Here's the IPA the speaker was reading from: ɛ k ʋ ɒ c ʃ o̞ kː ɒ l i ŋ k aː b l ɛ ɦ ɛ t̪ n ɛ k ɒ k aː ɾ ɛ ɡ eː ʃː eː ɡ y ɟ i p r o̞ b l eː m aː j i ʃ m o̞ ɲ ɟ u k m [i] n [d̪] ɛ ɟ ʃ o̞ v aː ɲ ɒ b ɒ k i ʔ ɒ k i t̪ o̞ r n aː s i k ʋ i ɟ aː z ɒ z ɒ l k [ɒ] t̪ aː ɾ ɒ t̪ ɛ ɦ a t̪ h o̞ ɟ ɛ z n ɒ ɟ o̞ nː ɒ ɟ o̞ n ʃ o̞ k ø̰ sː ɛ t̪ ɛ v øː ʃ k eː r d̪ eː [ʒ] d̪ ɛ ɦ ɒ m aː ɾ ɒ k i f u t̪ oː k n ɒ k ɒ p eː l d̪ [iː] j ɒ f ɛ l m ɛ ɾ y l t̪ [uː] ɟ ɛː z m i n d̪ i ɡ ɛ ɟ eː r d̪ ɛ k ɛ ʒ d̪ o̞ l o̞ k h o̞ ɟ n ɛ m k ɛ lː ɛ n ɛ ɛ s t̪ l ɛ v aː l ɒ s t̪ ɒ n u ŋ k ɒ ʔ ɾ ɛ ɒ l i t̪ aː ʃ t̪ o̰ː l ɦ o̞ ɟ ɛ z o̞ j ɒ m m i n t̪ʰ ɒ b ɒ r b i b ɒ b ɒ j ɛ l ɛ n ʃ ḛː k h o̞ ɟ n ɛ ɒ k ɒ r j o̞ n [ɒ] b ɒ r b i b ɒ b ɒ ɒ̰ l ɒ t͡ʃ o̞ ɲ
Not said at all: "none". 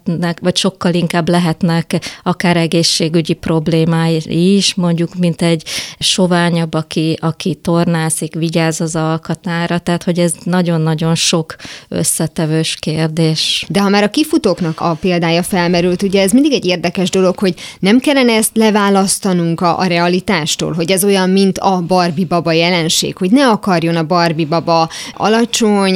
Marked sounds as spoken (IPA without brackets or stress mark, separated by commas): i, t̪, ɒ, ʃ, aː, u, ɒ